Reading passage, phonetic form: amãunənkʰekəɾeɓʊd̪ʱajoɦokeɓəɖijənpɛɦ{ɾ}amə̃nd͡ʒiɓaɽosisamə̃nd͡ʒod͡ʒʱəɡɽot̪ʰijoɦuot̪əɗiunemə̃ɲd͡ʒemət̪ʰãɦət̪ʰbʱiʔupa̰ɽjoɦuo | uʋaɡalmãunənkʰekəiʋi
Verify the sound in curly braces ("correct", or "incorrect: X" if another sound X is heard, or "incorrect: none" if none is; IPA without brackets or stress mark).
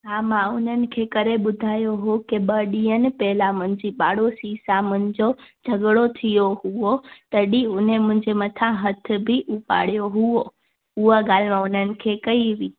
incorrect: l